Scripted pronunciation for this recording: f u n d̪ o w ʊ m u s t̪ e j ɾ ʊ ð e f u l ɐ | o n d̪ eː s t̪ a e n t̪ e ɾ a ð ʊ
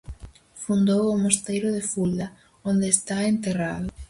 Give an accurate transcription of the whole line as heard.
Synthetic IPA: f u n d̪ o w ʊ m o s t̪ e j ɾ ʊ ð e f u l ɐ | o n d̪ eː s t̪ a e n t̪ e r a ð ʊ